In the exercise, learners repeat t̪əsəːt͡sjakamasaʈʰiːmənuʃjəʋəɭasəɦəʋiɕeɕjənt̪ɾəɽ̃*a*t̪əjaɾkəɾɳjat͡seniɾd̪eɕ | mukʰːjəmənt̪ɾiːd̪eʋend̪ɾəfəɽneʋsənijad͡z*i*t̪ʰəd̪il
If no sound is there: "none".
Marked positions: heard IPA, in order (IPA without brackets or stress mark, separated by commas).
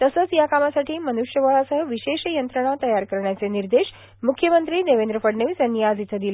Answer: a, i